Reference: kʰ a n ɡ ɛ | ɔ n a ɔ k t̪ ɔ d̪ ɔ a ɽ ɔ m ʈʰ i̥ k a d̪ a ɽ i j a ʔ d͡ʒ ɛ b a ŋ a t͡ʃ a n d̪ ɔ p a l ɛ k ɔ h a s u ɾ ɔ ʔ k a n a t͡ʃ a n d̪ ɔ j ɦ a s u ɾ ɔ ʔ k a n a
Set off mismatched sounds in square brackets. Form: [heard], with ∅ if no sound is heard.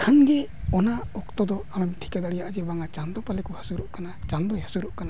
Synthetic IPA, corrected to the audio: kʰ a n ɡ ɛ | ɔ n a ɔ k t̪ ɔ d̪ ɔ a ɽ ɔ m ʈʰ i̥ k a d̪ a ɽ i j a ʔ d͡ʒ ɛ b a ŋ a t͡ʃ a n d̪ ɔ p a l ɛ k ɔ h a s u ɾ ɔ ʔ k a n a t͡ʃ a n d̪ ɔ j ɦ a s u ɾ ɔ ʔ k a n a